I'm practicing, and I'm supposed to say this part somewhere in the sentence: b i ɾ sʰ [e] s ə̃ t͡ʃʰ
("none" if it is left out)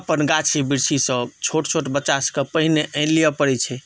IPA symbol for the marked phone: i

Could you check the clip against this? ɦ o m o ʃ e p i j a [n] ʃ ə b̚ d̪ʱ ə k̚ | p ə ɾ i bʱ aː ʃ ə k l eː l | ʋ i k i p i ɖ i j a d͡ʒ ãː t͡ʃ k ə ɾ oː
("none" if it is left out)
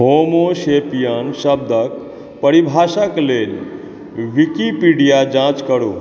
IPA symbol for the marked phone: n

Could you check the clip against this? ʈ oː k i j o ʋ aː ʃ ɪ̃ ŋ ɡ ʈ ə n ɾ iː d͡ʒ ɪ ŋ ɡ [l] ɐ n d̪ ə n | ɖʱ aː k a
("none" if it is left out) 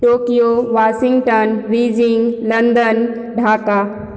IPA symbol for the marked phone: l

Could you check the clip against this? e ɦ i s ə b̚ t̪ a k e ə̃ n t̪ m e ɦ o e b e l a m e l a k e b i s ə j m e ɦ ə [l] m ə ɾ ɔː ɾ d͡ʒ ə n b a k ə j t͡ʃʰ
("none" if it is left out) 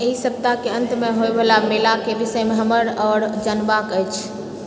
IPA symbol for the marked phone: none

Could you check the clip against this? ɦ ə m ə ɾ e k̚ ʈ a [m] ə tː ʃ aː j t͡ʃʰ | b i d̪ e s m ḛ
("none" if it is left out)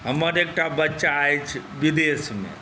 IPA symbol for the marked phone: b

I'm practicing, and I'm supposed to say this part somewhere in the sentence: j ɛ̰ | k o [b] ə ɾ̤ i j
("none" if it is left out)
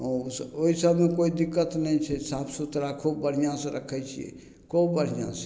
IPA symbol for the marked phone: b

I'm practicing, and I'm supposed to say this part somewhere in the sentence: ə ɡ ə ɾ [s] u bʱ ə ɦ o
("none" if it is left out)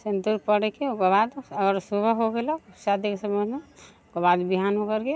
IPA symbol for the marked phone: s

